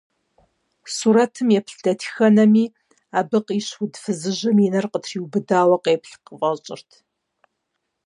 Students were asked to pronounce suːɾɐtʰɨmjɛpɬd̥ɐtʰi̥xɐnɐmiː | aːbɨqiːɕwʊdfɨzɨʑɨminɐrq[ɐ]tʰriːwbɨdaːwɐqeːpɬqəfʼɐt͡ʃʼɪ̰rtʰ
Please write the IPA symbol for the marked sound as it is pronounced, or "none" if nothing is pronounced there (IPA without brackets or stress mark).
ə